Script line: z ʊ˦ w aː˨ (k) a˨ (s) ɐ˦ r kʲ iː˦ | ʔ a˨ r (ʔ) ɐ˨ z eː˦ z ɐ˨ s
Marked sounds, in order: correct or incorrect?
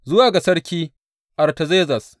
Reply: incorrect, correct, incorrect

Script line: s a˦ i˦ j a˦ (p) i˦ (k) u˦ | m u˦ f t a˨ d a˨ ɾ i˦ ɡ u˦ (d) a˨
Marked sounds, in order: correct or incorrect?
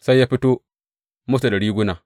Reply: correct, incorrect, incorrect

